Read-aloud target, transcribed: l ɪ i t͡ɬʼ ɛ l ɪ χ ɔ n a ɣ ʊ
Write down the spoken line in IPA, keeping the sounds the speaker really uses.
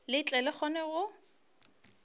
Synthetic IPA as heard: l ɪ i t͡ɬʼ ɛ l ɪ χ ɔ n ɛ ɣ ʊ